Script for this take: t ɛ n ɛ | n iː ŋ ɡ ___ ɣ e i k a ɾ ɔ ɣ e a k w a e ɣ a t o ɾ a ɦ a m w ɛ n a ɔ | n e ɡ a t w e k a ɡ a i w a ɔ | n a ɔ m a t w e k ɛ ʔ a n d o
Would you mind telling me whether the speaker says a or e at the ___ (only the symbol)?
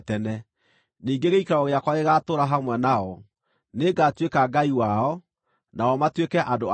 e